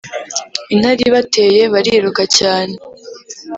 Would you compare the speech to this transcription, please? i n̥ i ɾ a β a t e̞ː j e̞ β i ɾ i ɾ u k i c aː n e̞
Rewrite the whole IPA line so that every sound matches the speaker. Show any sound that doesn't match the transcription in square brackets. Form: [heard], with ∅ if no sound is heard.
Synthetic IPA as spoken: i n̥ [a] ɾ [i] β a t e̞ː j e̞ β [a] ɾ i ɾ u k [a] c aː n e̞